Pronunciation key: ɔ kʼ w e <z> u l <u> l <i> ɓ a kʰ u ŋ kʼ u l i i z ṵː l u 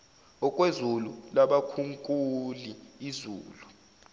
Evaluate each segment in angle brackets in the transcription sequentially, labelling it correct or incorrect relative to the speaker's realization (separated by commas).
correct, correct, incorrect